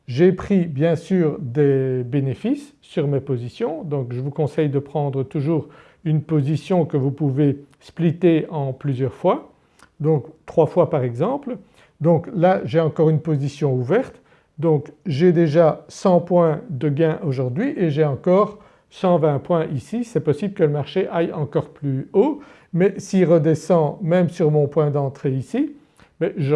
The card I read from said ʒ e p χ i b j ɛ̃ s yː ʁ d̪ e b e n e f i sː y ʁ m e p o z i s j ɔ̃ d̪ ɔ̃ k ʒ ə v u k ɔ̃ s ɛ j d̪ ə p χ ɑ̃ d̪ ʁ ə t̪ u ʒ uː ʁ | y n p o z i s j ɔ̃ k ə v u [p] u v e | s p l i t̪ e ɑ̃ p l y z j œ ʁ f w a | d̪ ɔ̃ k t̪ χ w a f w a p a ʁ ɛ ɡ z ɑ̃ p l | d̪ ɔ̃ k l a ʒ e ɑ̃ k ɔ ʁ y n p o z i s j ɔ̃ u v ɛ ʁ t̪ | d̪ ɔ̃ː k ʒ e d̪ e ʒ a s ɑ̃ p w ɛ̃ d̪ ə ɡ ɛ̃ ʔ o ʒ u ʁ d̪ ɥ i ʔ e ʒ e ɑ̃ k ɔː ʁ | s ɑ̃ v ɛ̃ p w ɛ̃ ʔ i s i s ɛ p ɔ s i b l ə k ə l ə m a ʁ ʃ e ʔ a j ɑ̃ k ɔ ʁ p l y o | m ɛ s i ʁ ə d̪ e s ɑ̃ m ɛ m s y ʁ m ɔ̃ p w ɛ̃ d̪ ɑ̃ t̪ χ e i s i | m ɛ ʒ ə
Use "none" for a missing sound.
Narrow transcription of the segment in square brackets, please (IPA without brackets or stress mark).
p